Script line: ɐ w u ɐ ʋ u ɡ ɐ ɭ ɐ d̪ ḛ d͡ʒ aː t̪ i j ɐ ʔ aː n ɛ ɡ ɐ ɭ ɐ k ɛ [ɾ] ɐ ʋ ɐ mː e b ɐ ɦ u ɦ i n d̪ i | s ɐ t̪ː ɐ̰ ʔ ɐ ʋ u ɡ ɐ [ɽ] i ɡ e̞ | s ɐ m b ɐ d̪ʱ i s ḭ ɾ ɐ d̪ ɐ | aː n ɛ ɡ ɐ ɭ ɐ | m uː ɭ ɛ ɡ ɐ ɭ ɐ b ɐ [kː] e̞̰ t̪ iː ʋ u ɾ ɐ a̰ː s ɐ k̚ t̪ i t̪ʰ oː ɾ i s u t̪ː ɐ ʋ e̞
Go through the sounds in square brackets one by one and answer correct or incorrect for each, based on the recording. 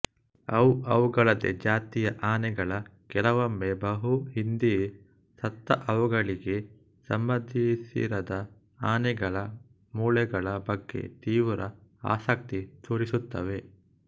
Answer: incorrect: l, incorrect: ɭ, incorrect: ɡː

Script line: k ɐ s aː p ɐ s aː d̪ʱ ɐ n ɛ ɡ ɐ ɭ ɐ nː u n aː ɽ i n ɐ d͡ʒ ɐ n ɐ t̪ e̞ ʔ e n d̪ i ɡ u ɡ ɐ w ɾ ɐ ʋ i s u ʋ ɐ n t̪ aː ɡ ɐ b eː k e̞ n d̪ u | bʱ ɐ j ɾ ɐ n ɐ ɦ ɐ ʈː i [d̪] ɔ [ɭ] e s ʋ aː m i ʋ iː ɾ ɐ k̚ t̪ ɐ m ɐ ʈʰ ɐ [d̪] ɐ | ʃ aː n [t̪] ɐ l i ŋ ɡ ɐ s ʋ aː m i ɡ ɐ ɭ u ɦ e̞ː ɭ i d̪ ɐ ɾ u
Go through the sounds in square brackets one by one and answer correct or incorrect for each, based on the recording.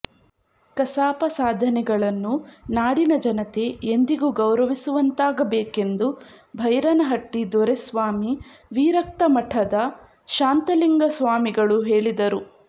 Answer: correct, incorrect: ɾ, correct, correct

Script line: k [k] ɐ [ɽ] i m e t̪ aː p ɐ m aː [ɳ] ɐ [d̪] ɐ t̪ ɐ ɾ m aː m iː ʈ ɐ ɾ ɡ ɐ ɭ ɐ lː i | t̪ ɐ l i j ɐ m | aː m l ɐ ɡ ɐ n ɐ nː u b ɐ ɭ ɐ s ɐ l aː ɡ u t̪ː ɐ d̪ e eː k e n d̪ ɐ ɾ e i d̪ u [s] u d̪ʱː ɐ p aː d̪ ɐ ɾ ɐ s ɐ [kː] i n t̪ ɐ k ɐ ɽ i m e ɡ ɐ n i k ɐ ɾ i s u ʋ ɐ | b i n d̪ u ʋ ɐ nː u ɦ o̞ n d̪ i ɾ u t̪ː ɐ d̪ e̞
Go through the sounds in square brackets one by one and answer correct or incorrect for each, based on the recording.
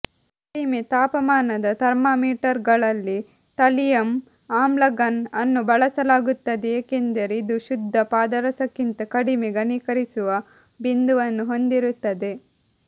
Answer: correct, correct, incorrect: n, correct, incorrect: ʃ, correct

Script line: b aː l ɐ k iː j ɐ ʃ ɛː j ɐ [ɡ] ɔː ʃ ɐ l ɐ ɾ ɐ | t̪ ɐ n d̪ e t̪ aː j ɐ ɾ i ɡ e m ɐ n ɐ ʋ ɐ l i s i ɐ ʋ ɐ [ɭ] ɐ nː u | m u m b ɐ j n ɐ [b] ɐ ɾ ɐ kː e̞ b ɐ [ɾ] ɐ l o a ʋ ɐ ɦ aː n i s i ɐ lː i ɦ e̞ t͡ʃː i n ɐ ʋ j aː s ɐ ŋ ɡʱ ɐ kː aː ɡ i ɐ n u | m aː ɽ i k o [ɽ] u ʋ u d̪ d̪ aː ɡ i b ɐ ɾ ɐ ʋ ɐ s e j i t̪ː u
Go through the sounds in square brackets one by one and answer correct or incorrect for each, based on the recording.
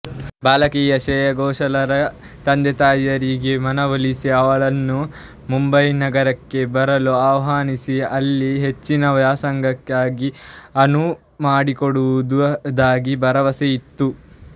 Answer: correct, correct, incorrect: ɡ, correct, correct

